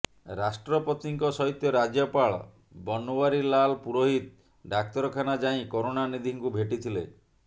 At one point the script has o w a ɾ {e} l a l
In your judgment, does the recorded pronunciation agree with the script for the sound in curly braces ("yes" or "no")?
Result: no